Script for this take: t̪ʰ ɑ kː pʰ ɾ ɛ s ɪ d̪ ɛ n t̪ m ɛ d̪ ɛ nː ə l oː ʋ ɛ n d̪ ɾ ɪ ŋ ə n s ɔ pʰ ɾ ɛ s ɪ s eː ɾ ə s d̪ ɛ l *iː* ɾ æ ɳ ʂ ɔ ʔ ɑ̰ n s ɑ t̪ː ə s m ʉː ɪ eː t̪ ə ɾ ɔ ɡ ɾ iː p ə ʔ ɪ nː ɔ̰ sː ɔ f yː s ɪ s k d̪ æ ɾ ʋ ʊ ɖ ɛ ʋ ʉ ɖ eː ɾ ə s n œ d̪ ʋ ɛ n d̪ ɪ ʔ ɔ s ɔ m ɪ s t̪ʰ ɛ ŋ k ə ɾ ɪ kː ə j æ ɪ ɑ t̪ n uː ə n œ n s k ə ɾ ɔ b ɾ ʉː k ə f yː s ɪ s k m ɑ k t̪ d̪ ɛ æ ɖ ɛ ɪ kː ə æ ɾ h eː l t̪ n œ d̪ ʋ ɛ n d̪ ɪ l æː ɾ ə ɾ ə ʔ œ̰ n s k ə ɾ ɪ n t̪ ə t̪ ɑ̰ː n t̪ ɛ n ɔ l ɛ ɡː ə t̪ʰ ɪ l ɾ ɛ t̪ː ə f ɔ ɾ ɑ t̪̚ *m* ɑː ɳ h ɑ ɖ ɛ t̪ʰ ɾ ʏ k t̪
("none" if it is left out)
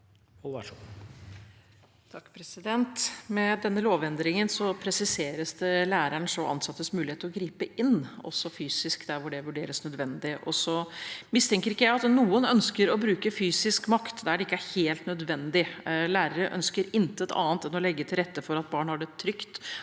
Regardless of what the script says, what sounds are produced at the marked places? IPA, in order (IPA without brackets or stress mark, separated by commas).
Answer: æː, b